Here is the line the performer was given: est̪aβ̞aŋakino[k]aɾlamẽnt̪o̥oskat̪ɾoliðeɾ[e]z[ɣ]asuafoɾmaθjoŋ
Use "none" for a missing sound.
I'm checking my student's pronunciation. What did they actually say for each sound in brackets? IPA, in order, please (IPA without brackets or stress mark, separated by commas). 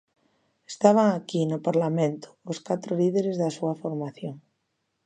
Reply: p, e, ð